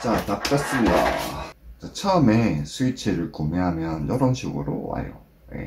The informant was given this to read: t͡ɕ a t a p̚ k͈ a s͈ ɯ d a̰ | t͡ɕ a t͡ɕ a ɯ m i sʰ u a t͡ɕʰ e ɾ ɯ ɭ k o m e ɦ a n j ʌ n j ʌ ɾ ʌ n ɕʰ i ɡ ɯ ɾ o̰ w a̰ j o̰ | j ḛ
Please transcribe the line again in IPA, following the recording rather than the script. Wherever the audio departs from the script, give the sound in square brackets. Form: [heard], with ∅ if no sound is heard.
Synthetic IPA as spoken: t͡ɕ a t a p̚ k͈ a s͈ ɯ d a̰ | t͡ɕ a [t͡ɕʰ] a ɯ m [e] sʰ u [i] t͡ɕʰ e ɾ ɯ ɭ k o m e ɦ a [m] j ʌ n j ʌ ɾ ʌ n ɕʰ i ɡ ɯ ɾ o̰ w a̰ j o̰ | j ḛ